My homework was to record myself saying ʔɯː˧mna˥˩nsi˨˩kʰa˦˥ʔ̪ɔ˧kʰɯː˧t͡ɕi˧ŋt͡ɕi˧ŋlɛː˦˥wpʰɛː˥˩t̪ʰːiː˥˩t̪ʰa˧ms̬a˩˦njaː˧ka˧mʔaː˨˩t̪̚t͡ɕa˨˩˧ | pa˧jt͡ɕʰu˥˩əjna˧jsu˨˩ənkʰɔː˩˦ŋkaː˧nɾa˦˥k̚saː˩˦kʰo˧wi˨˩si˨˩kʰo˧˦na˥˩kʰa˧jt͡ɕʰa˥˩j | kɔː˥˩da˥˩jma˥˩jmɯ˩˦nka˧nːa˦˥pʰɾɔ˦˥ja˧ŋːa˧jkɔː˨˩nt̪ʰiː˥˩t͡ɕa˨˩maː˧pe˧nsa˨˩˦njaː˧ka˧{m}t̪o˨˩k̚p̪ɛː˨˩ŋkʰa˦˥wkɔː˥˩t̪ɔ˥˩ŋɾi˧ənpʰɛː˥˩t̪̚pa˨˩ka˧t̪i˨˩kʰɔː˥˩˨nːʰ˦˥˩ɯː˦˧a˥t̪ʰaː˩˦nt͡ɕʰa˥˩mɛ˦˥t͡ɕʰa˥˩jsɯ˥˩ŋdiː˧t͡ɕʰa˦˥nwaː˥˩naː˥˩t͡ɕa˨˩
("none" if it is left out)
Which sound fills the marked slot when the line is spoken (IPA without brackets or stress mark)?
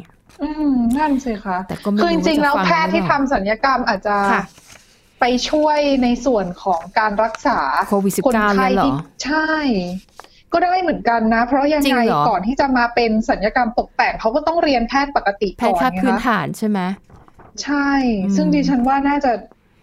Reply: m